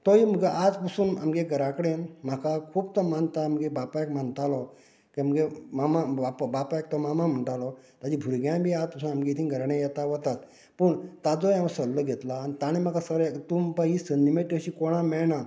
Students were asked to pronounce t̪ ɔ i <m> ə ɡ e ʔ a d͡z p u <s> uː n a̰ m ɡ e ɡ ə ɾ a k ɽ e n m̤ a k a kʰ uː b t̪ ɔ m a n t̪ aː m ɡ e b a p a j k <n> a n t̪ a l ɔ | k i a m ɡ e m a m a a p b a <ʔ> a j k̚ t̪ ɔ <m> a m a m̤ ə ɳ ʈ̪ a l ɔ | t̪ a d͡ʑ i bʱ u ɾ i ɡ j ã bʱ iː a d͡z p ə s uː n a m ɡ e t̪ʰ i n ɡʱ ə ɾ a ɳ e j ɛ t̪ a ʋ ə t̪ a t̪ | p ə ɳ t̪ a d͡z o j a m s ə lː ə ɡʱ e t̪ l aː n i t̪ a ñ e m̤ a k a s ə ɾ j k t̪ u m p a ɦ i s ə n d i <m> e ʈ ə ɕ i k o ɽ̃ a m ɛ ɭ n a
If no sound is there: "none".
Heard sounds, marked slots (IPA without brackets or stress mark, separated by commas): m, s, m, p, m, m